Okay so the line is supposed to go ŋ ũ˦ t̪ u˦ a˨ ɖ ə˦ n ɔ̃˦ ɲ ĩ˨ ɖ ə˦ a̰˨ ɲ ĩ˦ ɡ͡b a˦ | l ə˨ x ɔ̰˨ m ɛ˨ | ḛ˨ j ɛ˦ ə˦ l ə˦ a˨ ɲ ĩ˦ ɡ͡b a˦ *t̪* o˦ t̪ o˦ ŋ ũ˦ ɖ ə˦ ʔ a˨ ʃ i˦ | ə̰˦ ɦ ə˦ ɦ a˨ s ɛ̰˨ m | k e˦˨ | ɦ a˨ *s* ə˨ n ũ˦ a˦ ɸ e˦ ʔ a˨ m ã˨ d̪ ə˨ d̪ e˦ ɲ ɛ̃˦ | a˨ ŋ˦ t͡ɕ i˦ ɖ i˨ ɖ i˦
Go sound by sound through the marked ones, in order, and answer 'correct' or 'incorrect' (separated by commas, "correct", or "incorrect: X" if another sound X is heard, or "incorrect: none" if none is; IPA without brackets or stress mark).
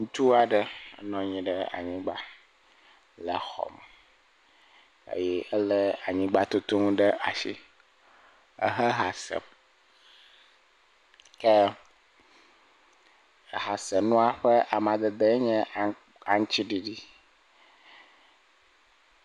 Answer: correct, correct